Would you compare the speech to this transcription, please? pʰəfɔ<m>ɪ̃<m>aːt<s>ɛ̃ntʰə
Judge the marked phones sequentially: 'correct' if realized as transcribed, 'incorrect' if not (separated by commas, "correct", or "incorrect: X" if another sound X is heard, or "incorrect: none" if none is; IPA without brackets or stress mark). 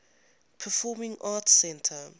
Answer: correct, incorrect: ŋ, correct